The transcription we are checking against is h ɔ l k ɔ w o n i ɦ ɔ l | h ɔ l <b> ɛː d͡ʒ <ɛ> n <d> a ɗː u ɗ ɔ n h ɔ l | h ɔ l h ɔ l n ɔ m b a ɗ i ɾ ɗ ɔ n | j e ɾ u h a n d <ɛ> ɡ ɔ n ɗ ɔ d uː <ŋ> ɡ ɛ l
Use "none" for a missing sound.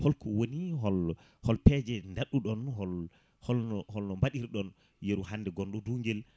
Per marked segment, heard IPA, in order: p, ɛ, d, ɛ, ŋ

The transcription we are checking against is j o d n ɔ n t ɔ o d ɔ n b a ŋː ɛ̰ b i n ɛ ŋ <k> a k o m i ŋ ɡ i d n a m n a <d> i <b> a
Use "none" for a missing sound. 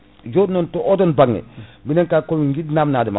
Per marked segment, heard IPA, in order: k, d, m

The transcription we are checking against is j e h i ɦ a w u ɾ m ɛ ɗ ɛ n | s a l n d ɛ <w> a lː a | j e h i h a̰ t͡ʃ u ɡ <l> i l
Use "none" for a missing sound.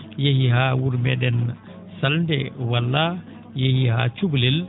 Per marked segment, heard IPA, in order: w, l

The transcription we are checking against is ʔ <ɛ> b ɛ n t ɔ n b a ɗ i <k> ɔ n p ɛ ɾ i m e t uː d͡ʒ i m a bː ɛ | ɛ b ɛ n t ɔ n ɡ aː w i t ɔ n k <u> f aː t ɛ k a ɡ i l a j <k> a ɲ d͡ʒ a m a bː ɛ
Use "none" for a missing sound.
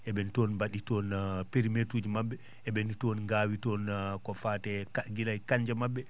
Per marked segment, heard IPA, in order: ɛ, t, ɔ, k

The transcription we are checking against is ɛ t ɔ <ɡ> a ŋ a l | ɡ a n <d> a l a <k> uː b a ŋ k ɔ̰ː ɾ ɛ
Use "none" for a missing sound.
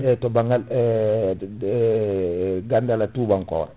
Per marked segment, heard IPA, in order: b, d, t

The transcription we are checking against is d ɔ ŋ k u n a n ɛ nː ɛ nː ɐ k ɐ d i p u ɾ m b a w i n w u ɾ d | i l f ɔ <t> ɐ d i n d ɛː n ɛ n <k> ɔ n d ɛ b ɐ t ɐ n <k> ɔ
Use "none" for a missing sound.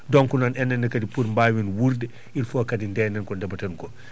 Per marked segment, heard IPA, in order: k, k, k

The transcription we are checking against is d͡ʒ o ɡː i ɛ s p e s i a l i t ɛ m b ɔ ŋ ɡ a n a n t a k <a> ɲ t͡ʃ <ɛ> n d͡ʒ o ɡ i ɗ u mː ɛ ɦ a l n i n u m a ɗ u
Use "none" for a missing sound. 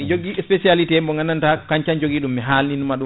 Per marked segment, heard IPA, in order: a, a

